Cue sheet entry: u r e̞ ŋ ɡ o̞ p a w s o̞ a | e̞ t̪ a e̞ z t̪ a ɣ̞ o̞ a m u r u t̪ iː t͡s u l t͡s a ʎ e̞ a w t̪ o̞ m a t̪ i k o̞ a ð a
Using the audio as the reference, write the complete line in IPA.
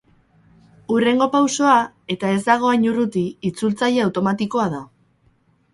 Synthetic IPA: u r e̞ ŋ ɡ o̞ p a w s o̞ a | e̞ t̪ a e̞ z d̪ a ɣ̞ o̞ a ɲ u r u t̪ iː t͡s u l t͡s a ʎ e̞ a w t̪ o̞ m a t̪ i k o̞ a ð a